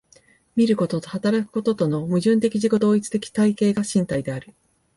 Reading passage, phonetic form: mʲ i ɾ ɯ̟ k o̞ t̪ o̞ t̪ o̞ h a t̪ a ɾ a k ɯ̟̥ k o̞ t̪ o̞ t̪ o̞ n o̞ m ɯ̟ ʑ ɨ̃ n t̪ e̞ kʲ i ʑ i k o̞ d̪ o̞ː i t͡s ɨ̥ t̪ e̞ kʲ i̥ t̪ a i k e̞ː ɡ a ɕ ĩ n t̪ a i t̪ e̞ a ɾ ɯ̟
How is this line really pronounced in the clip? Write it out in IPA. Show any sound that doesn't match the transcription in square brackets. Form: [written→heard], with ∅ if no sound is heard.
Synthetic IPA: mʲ i ɾ ɯ̟ k o̞ t̪ o̞ t̪ o̞ h a t̪ a ɾ a k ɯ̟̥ k o̞ t̪ o̞ t̪ o̞ n o̞ m ɯ̟ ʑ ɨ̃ n t̪ e̞ kʲ i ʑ i k o̞ d̪ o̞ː i t͡s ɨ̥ t̪ e̞ kʲ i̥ t̪ a i k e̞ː ɡ a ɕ ĩ n t̪ a i [t̪→d̪] e̞ a ɾ ɯ̟